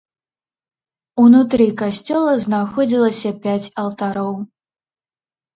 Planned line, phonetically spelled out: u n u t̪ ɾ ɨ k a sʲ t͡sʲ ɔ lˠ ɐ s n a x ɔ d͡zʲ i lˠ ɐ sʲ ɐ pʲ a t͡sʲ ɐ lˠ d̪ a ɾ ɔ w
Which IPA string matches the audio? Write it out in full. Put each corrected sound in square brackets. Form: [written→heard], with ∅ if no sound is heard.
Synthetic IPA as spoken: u n u t̪ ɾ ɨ k a sʲ t͡sʲ ɔ lˠ ɐ [s→z] n a x ɔ d͡zʲ i lˠ ɐ sʲ ɐ pʲ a t͡sʲ ɐ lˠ [d̪→t̪] a ɾ ɔ w